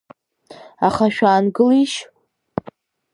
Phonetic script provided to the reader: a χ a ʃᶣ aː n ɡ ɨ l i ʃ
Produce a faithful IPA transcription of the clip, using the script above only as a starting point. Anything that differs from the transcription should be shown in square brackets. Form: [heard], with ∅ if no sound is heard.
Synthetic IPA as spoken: a χ a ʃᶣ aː n ɡ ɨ l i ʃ